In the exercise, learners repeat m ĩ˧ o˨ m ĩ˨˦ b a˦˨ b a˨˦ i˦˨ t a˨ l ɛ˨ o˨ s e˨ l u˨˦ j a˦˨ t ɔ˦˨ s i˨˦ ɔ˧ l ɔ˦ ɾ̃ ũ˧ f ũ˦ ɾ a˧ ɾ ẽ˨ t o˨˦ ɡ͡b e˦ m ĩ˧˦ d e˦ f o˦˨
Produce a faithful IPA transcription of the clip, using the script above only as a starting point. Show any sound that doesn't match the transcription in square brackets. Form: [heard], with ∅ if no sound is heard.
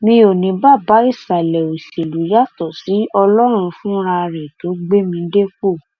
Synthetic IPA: m ĩ˧ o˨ [n] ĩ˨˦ b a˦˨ b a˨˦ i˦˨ [s] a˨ l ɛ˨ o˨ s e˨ l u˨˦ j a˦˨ t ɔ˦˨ s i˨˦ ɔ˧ l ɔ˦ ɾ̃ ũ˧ f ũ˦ ɾ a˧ ɾ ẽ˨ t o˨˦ ɡ͡b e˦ m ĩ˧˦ d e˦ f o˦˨